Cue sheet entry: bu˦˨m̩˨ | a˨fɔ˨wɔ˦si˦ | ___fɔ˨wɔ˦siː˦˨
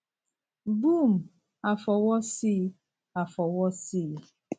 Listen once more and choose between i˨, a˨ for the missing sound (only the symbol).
a˨